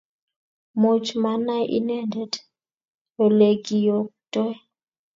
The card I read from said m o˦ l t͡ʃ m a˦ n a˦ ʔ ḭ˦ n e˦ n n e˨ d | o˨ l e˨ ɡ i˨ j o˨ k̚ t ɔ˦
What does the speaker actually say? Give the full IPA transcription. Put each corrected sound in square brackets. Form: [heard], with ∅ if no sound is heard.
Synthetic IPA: m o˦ [∅] t͡ʃ m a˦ n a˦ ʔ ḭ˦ n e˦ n [d] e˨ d | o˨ l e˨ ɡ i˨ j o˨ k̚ t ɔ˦

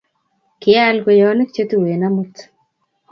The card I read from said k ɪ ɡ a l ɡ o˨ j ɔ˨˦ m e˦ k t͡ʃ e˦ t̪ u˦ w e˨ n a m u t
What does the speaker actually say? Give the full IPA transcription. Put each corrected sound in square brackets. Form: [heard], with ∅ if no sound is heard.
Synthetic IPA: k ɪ [∅] a l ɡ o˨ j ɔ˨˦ [n] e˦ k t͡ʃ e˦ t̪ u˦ w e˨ n a m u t

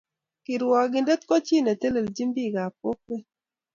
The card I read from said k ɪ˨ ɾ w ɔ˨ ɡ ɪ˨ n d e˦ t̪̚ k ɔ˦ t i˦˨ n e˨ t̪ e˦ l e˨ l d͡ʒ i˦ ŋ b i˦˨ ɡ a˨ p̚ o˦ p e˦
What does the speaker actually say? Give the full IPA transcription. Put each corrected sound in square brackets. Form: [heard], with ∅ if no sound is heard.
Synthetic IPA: k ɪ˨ ɾ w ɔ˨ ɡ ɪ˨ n d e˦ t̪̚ k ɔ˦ [t͡ʃ] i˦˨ n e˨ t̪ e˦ l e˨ l d͡ʒ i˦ [m] b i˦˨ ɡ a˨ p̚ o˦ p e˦

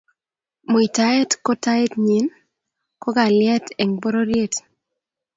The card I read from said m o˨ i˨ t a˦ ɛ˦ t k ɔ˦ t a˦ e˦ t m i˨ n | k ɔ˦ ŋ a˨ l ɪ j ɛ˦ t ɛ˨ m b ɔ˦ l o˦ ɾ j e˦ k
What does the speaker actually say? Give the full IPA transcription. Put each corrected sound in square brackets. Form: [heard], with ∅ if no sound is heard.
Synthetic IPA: m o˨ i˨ t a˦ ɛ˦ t k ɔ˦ t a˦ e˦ t [ɲ] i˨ n | k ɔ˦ [ɡ] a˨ l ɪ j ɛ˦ t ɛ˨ [ŋ] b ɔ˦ [ɾ] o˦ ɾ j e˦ [t]

